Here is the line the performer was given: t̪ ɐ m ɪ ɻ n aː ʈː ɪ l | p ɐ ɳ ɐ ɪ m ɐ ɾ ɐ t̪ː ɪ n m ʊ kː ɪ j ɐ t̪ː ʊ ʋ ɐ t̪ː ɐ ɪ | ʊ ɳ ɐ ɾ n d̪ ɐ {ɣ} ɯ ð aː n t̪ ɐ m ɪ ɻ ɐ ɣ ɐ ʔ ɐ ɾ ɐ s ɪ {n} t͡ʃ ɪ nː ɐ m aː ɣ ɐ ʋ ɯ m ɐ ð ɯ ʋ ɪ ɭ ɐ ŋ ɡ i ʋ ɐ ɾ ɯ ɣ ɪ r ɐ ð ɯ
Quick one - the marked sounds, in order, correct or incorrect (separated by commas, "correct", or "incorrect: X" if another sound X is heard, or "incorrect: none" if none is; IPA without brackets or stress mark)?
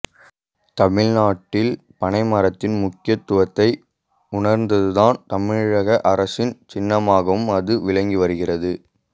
incorrect: ð, correct